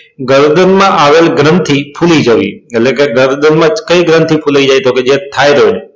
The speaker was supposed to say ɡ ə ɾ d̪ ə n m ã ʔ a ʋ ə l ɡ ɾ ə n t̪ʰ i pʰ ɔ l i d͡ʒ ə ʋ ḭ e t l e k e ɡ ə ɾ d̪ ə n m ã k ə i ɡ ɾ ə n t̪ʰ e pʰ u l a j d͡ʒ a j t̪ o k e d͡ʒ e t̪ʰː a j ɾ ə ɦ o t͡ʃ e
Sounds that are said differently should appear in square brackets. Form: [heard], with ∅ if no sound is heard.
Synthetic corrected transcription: ɡ ə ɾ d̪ ə n m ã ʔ a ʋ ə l ɡ ɾ ə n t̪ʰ i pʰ [u] l i d͡ʒ ə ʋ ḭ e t l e k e ɡ ə ɾ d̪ ə n m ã k ə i ɡ ɾ ə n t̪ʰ [i] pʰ u l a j d͡ʒ a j t̪ o k e d͡ʒ e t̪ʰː a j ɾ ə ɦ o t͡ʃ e

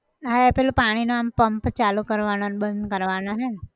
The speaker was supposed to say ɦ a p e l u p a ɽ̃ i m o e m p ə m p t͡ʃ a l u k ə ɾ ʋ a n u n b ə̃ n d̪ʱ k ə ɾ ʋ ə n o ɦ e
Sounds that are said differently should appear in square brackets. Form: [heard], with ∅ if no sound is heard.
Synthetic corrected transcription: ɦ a p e l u p a ɽ̃ i [n] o [a] m p ə m p t͡ʃ a l u k ə ɾ ʋ a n [o] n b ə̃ n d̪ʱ k ə ɾ ʋ [a] n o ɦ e

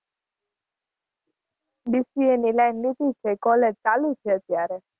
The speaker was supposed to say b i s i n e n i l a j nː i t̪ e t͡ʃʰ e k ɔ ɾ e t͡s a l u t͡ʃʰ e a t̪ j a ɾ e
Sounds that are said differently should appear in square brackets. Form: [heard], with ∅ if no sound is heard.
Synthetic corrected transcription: b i s i [∅] e n i l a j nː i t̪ [i] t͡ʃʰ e k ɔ [l] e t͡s a l u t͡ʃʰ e [ə] t̪ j a ɾ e

